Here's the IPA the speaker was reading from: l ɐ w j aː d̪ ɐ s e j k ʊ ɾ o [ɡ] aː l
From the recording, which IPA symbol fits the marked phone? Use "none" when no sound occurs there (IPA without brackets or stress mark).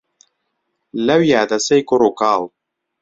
k